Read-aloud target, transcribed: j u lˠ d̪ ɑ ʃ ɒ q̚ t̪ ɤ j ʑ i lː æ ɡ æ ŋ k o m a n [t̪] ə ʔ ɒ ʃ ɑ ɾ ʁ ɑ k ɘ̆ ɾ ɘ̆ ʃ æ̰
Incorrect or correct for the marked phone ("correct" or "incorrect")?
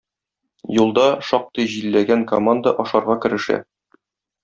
incorrect